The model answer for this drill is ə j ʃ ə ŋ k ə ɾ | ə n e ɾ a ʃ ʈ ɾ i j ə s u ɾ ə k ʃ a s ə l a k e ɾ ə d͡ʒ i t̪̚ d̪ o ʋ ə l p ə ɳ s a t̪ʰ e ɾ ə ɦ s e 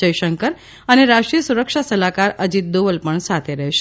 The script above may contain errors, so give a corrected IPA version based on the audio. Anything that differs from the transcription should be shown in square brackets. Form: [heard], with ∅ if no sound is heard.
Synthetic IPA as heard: ə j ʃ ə ŋ k ə ɾ | ə n e ɾ a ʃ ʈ ɾ i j ə s u ɾ ə k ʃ a s ə l a k [a] ɾ ə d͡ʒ i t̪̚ d̪ o ʋ ə l p ə ɳ s a t̪ʰ e ɾ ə ɦ [ʃ] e